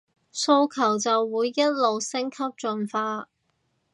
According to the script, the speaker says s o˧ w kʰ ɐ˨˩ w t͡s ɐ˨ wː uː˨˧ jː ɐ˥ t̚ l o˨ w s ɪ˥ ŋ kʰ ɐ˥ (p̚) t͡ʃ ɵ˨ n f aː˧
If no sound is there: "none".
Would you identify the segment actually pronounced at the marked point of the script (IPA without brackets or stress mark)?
p̚